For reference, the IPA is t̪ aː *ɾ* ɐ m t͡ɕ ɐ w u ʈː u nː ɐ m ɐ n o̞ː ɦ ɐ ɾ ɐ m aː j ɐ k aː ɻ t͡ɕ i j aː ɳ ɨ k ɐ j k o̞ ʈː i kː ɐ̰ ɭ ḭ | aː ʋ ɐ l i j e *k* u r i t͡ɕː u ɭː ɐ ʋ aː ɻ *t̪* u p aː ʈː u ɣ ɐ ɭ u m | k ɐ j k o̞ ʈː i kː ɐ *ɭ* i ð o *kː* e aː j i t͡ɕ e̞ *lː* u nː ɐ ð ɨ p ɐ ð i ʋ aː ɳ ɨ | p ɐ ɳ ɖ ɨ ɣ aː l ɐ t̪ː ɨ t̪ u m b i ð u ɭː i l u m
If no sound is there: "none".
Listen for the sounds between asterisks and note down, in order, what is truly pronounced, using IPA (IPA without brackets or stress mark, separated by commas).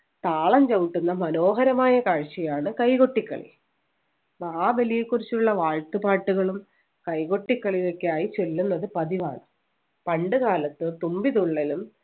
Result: ɭ, k, t̪, ɭ, kː, lː